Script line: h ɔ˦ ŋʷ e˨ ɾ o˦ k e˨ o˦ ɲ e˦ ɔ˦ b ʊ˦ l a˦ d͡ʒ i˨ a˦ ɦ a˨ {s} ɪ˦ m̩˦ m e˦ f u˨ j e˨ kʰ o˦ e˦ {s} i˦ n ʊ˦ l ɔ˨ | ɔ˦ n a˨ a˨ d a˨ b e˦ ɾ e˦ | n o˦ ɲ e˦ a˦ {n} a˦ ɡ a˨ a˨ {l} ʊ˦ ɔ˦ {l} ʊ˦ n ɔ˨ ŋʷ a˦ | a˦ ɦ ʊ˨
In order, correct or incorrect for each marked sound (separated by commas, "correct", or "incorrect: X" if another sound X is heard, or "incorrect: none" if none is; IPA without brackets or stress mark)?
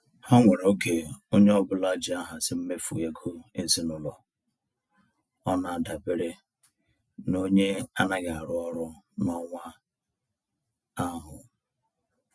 correct, correct, correct, incorrect: ɾ, incorrect: ɾ